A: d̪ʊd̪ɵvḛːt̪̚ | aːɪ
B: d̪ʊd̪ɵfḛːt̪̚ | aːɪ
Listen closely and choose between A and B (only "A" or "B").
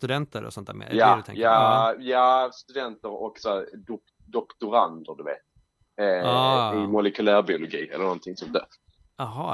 A